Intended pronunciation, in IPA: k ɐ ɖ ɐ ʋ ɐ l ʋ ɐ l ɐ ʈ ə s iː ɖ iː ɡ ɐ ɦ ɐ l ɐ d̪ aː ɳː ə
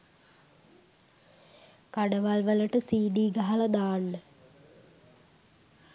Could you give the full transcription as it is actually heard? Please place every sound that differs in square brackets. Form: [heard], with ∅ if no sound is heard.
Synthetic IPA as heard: k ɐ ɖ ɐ ʋ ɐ l ʋ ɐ l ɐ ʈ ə s iː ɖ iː ɡ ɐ ɦ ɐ l ɐ d̪ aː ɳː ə